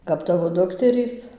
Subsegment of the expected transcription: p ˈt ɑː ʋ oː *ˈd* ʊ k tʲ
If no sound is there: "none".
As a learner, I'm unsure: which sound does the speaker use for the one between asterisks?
d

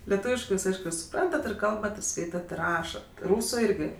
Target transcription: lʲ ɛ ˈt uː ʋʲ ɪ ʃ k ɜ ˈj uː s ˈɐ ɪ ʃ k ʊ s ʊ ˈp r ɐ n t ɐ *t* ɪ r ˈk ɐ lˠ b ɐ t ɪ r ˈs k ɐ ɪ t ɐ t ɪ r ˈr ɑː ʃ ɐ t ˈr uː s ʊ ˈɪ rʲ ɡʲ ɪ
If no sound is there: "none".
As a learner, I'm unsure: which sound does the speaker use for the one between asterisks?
t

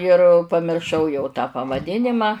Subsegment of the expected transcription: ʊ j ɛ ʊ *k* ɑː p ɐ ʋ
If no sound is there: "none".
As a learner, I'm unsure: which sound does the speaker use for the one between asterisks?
t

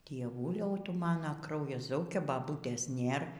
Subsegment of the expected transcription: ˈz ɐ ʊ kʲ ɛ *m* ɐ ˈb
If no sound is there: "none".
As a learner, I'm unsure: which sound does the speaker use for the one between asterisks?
b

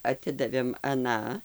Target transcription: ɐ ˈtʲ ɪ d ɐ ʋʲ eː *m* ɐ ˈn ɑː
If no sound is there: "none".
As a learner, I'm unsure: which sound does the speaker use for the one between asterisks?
m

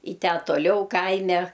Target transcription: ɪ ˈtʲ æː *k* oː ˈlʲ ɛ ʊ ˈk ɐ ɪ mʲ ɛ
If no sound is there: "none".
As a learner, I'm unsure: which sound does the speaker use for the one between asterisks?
t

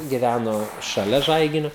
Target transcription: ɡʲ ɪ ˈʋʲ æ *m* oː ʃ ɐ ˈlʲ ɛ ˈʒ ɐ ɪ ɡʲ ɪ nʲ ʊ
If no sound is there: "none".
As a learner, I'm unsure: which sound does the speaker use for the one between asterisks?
n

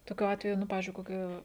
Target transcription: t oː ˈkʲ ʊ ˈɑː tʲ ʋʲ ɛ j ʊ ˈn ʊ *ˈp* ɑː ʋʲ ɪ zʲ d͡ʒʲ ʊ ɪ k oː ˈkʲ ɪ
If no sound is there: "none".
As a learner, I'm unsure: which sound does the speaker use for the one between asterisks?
p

